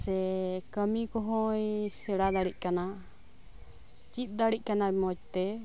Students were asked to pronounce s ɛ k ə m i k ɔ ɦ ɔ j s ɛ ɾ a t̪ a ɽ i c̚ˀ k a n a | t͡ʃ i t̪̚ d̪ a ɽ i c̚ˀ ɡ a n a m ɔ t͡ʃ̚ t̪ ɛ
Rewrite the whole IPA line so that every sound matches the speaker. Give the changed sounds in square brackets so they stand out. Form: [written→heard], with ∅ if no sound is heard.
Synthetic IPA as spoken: s ɛ k ə m i k ɔ ɦ ɔ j s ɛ [ɾ→ɽ] a [t̪→d̪] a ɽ i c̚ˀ k a n a | t͡ʃ i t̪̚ d̪ a ɽ i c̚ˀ [ɡ→k] a n a m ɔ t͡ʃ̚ t̪ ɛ